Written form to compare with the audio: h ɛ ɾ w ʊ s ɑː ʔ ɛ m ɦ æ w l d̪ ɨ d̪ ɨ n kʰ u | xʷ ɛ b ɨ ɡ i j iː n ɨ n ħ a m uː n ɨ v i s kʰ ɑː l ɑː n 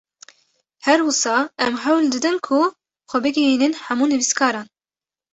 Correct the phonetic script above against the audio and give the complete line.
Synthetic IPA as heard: h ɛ ɾ w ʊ s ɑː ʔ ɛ m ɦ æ w l d̪ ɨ d̪ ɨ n kʰ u | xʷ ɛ b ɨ ɡ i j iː n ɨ n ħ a m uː n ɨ v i s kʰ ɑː ɾ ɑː n